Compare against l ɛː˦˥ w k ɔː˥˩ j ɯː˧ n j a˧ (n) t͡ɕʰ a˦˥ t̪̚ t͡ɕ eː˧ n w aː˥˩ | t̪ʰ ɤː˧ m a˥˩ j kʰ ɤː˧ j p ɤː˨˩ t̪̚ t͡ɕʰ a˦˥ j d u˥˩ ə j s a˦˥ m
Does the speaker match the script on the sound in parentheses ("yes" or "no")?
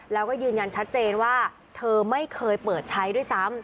yes